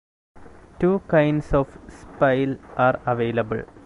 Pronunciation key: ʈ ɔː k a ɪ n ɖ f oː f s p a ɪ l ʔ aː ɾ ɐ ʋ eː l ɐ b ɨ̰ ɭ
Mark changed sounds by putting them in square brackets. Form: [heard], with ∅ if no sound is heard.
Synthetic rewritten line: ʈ [uː] k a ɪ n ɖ [s] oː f s p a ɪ l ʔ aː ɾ ɐ ʋ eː l ɐ b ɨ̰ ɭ